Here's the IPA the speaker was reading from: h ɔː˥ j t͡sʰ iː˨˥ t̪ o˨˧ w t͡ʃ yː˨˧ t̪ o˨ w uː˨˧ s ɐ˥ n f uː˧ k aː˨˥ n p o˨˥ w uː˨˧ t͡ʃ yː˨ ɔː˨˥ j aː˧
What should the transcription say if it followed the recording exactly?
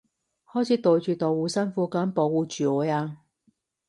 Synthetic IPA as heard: h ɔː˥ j t͡sʰ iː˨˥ t̪ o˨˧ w t͡ʃ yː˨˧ t̪ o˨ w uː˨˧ s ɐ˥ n f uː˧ k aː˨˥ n p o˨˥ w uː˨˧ t͡ʃ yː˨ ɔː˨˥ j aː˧